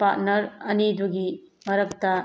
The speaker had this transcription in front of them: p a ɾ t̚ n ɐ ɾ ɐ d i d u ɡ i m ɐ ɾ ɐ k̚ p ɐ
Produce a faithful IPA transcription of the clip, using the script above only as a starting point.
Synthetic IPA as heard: p a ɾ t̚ n ɐ ɾ ɐ n i d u ɡ i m ɐ ɾ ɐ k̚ t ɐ